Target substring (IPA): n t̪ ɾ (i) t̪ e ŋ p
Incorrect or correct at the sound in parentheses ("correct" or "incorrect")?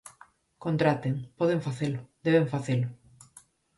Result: incorrect